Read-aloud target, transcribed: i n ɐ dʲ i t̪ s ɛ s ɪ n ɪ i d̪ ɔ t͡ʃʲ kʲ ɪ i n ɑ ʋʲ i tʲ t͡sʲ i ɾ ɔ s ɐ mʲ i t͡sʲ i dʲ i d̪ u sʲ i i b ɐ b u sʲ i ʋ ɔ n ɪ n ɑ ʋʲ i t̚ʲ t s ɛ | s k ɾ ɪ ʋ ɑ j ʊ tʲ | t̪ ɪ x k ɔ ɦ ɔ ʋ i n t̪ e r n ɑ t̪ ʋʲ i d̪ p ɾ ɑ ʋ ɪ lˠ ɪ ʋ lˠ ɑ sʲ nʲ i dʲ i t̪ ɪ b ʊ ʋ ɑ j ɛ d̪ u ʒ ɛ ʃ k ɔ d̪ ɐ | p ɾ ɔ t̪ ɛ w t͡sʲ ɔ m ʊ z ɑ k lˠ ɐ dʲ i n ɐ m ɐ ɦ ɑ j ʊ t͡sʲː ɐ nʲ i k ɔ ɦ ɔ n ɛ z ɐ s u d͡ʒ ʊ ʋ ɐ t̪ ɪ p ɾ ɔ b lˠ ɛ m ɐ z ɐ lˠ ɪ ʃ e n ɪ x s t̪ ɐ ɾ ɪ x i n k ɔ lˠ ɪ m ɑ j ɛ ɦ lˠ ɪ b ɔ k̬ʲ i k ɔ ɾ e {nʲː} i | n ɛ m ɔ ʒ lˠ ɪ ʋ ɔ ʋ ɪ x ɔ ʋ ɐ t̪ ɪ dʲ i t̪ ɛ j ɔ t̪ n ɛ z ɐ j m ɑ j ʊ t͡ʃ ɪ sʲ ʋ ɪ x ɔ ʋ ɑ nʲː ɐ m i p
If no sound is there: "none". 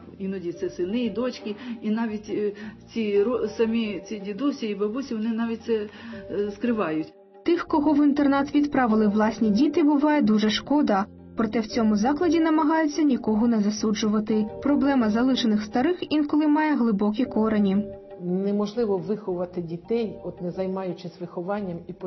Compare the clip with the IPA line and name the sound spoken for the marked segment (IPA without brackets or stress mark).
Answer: nʲ